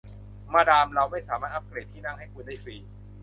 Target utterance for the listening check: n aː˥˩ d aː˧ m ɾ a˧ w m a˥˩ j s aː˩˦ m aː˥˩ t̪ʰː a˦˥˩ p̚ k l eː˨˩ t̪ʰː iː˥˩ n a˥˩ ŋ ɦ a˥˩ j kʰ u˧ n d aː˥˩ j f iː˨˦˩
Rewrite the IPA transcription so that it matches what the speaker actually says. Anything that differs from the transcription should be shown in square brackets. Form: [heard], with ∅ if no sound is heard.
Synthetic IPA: [m] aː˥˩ d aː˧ m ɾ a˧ w m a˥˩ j s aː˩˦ m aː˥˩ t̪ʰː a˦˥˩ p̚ k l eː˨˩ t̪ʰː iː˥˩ n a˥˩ ŋ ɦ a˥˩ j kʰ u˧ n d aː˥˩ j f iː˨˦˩